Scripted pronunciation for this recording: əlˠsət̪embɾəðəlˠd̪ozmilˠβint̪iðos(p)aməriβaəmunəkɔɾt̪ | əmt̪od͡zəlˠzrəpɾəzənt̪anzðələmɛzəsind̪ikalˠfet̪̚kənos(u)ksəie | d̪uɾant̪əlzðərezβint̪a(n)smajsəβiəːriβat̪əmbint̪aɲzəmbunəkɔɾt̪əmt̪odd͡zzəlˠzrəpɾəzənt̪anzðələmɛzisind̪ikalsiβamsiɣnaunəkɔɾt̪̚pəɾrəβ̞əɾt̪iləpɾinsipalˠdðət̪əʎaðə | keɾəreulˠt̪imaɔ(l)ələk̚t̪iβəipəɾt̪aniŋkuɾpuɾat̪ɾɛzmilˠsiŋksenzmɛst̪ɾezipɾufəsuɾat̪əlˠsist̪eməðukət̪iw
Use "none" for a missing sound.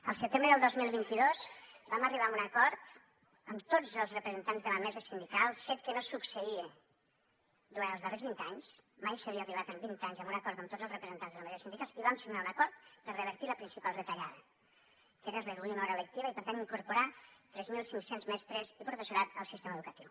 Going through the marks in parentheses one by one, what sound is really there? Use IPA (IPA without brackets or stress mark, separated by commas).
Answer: b, u, ɲ, ɾ